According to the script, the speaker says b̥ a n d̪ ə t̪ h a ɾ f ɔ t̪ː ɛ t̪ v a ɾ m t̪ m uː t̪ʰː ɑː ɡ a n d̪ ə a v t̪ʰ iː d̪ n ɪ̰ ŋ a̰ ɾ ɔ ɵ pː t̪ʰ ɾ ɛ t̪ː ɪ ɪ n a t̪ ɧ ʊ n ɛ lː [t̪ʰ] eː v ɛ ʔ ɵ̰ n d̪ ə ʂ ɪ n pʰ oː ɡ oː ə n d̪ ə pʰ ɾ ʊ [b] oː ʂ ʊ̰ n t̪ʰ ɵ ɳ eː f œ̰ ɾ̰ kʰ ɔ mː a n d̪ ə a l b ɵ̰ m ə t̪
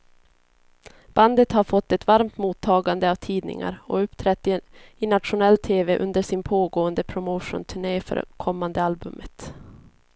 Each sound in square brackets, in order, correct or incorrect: correct, incorrect: m

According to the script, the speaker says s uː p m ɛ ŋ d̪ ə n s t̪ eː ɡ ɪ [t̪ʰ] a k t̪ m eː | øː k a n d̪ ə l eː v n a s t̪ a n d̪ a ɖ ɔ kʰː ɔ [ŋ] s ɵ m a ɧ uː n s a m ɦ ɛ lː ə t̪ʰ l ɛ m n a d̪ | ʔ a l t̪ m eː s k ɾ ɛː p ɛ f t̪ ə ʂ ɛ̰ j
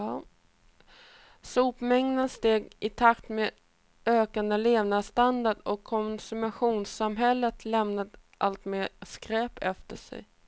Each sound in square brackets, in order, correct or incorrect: correct, incorrect: n

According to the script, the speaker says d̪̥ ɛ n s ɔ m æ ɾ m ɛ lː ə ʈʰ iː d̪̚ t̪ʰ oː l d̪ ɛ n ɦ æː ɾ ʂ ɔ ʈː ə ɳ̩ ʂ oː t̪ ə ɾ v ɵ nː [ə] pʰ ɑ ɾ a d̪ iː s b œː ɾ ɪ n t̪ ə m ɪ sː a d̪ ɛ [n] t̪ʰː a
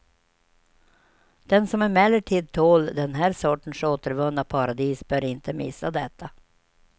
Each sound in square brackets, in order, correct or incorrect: incorrect: a, incorrect: none

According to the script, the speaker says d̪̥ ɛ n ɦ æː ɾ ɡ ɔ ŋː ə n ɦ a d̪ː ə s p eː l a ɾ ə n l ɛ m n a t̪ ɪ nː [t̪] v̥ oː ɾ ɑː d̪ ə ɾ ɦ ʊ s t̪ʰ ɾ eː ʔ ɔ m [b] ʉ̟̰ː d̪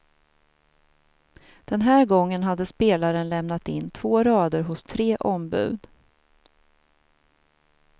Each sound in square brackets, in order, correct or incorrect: incorrect: t̪ʰ, correct

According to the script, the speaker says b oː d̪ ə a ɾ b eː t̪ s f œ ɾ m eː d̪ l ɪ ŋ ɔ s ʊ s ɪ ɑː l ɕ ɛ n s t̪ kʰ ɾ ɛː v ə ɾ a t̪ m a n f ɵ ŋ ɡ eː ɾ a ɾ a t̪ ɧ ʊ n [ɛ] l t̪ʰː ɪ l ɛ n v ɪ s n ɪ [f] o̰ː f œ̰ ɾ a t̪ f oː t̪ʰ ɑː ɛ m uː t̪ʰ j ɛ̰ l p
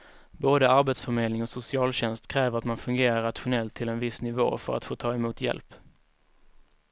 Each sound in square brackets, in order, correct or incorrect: correct, incorrect: v

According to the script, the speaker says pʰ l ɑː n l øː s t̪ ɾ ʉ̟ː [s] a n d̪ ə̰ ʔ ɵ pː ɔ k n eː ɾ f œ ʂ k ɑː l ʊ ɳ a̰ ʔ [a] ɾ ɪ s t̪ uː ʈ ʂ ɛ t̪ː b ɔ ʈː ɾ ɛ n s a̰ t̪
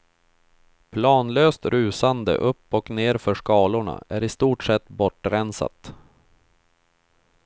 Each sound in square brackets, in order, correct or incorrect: correct, incorrect: æ

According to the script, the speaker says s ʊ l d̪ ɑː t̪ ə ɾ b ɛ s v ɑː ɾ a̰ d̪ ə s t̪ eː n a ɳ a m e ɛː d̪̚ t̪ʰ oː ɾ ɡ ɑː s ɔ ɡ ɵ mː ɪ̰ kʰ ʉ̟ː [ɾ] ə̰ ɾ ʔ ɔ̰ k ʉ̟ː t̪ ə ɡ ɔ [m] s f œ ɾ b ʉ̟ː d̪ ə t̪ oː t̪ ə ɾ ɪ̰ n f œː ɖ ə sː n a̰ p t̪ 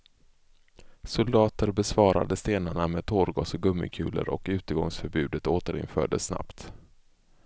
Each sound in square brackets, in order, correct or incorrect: incorrect: l, incorrect: ŋ

